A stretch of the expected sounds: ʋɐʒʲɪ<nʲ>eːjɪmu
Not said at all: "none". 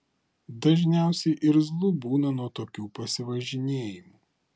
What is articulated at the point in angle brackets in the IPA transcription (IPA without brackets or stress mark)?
nʲ